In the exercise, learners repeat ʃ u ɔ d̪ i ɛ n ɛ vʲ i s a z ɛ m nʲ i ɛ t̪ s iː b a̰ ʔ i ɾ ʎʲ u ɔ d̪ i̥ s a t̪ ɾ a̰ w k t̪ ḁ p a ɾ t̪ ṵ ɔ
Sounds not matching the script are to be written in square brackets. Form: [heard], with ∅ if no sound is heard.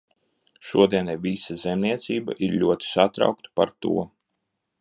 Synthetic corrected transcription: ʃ u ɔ d̪ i ɛ n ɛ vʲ i s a z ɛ m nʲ i ɛ t̪ s iː b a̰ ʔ i ɾ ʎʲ u ɔ [t̪] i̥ s a t̪ ɾ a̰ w k t̪ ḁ p a ɾ t̪ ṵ ɔ